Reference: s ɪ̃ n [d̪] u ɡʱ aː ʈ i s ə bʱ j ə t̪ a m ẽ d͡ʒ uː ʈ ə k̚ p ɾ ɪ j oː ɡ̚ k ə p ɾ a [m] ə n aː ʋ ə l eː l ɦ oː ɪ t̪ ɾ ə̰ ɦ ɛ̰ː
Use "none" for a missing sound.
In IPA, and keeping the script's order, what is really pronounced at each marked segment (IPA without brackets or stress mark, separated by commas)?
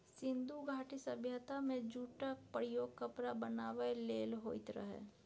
d̪, b